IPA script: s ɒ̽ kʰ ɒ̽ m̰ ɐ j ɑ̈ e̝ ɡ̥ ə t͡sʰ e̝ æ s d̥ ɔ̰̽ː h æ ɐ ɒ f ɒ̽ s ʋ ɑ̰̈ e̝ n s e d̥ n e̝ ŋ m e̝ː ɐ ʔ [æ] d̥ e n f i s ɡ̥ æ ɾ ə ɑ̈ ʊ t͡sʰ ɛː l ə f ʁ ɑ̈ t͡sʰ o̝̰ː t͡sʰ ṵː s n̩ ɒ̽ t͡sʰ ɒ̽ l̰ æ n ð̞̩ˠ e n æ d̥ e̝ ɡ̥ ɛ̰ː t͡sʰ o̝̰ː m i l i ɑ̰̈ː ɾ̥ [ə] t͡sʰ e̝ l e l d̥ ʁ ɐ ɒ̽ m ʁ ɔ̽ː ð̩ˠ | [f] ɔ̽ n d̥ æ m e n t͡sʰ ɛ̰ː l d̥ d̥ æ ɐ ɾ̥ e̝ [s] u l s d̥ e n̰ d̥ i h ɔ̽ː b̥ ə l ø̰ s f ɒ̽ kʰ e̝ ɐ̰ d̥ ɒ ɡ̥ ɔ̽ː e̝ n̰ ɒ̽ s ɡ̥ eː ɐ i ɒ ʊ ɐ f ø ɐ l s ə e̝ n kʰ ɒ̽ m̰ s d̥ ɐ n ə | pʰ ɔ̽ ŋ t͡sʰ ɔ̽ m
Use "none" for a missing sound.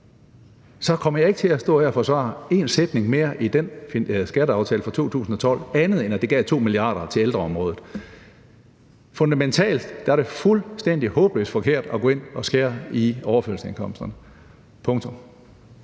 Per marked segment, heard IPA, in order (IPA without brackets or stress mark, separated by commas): i, ɐ, f, f